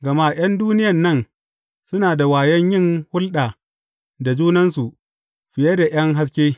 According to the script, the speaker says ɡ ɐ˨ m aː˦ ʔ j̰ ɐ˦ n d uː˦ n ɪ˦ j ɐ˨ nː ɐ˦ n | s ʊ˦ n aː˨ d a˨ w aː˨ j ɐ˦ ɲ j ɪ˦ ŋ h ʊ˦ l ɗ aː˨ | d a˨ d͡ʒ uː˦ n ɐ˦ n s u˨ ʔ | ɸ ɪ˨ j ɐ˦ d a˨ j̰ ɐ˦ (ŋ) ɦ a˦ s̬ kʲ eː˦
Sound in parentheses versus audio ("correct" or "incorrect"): correct